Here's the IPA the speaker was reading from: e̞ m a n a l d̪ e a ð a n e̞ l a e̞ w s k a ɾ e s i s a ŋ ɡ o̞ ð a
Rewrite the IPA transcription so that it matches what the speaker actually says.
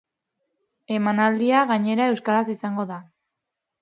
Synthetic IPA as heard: e̞ m a n a l d̪ i a ɣ a ɲ e̞ ɾ a e̞ w s k a ɾ a s i s a ŋ ɡ o̞ ð a